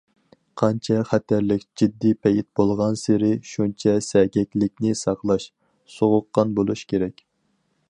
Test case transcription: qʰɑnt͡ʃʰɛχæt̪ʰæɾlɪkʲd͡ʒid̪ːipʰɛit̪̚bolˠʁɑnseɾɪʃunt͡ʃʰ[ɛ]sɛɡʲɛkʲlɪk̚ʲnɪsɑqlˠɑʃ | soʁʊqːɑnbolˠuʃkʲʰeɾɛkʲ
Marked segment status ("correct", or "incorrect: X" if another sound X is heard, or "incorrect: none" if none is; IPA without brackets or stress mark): correct